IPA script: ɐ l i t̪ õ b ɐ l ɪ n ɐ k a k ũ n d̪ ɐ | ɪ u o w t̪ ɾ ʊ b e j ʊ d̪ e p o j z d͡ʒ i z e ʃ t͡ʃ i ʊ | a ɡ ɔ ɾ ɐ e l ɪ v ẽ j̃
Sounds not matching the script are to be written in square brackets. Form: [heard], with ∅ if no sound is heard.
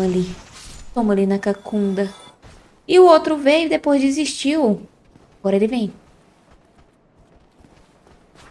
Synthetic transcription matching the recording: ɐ l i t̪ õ [m] ɐ l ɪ n ɐ k a k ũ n d̪ ɐ | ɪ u o w t̪ ɾ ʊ [v] e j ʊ d̪ e p o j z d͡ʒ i z [i] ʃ t͡ʃ i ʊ | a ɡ ɔ ɾ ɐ e l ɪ v ẽ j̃